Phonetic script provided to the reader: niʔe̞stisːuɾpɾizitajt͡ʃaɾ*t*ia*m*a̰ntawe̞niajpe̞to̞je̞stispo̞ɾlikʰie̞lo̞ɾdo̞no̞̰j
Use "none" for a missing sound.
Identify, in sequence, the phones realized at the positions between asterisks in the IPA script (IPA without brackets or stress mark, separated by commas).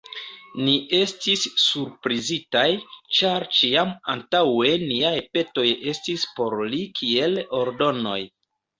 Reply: t͡ʃ, m